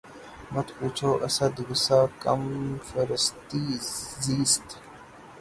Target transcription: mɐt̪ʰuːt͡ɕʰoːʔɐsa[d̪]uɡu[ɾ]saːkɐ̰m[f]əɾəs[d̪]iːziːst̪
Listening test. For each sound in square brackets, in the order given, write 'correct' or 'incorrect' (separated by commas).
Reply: correct, incorrect, correct, incorrect